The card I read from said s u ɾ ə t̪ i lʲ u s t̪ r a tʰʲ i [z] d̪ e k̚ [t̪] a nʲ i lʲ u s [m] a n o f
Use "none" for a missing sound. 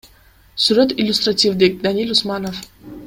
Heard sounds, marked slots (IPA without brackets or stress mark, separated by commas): v, d̪, m